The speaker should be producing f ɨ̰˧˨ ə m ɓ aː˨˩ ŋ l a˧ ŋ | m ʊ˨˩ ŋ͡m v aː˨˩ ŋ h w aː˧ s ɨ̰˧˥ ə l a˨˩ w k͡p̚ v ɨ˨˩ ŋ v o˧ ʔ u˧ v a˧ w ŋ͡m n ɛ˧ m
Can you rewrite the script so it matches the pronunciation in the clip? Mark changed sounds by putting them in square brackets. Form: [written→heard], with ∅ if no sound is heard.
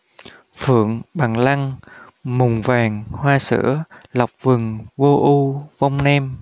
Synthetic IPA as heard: f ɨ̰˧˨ ə [m→ŋ] ɓ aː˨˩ ŋ l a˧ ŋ | m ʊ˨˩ ŋ͡m v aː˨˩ ŋ h w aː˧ s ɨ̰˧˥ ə l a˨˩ w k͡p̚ v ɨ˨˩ ŋ v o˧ ʔ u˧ v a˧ w ŋ͡m n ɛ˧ m